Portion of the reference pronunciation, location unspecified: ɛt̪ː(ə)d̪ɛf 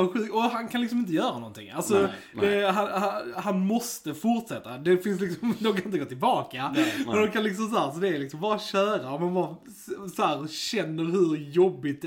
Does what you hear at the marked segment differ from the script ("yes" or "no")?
yes